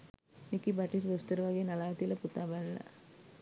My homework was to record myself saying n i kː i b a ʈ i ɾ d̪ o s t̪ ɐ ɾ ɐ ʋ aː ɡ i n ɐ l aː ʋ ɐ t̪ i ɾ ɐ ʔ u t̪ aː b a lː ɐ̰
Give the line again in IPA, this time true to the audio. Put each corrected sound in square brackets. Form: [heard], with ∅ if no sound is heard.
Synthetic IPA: n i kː i b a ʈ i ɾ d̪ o s t̪ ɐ ɾ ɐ ʋ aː ɡ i n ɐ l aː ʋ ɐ t̪ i [l] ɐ [p] u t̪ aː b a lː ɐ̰